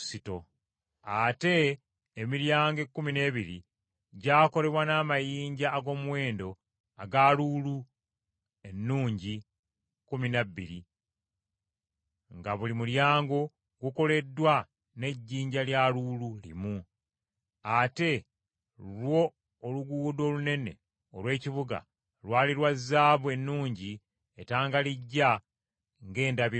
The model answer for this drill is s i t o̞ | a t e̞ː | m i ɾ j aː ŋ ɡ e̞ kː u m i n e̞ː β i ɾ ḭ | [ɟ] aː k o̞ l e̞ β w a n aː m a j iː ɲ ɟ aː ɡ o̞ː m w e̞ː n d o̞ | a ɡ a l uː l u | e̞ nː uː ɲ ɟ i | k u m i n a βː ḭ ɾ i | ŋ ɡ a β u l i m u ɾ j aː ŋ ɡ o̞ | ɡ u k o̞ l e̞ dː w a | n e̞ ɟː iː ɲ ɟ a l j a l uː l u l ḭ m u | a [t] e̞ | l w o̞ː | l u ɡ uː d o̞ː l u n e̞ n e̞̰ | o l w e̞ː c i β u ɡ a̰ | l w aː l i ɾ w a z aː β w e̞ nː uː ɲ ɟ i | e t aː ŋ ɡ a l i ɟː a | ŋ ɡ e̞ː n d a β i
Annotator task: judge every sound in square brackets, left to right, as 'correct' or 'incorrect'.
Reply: correct, correct

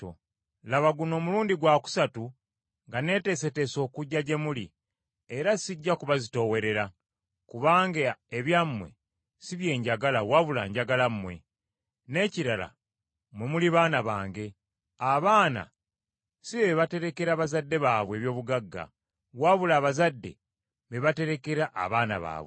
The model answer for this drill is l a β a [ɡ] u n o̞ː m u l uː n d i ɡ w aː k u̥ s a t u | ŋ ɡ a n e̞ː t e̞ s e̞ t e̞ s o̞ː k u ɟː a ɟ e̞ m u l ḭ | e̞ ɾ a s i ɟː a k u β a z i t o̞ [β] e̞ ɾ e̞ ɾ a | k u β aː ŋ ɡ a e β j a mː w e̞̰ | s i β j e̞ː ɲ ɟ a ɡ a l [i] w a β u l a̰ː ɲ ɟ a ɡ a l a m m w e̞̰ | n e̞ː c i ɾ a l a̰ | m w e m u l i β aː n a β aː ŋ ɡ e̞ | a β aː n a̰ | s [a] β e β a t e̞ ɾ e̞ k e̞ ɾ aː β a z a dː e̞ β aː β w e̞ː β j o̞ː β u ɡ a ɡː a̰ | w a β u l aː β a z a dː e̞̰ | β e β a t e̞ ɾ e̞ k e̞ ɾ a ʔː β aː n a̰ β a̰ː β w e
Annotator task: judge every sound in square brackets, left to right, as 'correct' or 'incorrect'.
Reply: correct, incorrect: w, incorrect: a, incorrect: i

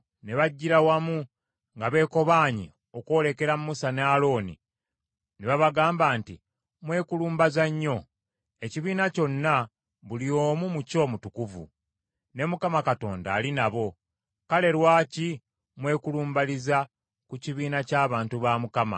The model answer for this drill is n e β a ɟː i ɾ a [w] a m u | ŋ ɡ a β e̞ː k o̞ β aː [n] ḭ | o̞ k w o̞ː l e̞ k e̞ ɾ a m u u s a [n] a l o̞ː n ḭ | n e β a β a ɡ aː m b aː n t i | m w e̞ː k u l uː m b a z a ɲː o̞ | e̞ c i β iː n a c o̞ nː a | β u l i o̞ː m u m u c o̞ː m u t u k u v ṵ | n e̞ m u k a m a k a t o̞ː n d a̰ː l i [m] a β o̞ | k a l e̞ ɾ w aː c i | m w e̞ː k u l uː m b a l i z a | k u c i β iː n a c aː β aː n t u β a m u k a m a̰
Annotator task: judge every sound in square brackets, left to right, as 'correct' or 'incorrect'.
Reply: correct, incorrect: ɲ, correct, incorrect: n

